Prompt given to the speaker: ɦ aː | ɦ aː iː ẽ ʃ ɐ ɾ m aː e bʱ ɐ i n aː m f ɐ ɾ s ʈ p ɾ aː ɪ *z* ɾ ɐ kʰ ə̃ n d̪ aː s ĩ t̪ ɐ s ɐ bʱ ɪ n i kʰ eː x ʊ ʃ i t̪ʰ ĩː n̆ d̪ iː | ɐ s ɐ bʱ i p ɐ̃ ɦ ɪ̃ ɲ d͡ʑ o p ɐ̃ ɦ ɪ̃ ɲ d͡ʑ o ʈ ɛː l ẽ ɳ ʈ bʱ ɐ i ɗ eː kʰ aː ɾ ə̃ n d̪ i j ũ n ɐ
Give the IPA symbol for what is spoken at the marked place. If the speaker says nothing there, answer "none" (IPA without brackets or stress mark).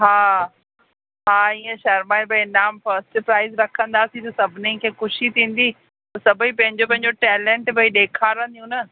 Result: z